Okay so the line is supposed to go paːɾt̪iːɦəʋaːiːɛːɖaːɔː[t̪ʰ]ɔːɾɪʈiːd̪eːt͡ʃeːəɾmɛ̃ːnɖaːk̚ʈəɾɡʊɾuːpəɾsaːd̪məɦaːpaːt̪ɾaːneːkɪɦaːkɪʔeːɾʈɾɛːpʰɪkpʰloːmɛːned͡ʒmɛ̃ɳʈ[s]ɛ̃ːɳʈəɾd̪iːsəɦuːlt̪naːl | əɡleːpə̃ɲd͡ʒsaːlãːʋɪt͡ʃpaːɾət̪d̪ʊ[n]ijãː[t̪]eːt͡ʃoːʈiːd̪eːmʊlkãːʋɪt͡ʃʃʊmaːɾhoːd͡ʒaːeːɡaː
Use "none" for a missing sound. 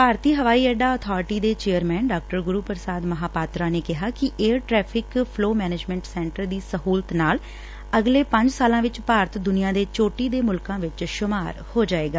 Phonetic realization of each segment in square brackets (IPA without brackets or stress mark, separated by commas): t̪ʰ, s, n, d̪